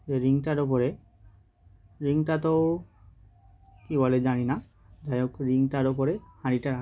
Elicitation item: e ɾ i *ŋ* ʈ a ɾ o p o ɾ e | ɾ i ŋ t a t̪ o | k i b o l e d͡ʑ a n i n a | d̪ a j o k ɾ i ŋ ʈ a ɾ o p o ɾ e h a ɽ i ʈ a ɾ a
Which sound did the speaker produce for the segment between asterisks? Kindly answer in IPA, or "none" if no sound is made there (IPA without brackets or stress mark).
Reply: ŋ